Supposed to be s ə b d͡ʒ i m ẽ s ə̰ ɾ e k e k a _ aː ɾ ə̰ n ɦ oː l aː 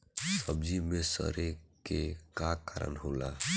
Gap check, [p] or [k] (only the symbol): k